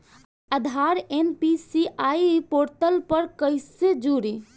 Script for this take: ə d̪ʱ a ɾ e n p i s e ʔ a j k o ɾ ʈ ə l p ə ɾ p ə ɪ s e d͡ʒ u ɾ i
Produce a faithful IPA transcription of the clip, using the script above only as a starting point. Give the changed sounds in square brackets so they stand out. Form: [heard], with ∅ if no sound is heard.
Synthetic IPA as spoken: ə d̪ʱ a ɾ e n p i s [i] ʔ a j [p] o ɾ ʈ ə l p ə ɾ [k] ə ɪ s e d͡ʒ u ɾ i